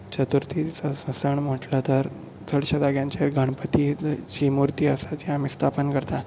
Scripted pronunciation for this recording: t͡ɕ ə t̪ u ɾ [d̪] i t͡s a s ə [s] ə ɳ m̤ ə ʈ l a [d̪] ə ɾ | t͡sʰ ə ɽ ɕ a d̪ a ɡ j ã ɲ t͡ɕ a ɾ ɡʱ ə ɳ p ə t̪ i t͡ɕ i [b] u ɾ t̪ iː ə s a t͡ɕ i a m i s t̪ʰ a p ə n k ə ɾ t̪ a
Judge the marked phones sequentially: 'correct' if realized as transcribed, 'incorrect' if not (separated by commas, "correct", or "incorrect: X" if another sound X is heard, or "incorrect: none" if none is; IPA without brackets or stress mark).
incorrect: t̪, correct, incorrect: t̪, incorrect: m